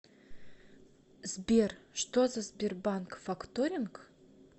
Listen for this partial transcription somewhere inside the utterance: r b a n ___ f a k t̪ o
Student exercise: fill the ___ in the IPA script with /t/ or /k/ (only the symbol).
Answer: k